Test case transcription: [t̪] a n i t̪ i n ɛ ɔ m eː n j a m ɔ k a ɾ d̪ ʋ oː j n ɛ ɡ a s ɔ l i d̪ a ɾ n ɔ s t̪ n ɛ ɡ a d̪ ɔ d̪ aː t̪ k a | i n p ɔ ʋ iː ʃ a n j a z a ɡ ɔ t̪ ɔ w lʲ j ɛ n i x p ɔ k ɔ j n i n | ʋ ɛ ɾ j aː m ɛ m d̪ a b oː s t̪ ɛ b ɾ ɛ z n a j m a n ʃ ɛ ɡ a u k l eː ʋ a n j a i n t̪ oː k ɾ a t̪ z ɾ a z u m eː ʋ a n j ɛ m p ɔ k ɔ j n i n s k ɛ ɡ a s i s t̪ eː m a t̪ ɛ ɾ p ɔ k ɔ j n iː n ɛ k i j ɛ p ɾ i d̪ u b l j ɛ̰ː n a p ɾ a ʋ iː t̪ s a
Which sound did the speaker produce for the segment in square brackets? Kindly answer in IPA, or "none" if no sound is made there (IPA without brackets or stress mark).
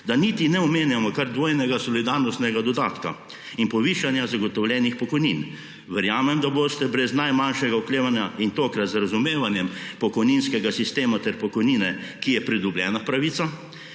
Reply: d̪